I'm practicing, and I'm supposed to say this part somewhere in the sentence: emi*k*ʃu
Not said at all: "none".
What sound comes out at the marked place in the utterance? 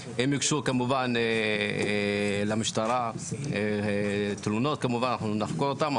k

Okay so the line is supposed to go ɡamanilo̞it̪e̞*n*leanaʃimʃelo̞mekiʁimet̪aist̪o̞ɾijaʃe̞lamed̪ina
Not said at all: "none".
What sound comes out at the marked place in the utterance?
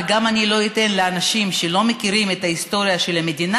n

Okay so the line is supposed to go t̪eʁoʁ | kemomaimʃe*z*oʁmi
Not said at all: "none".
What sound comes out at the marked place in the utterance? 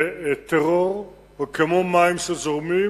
z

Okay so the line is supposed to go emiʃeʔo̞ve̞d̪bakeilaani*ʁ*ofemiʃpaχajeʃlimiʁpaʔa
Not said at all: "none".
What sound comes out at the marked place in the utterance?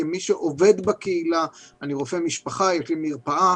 ʁ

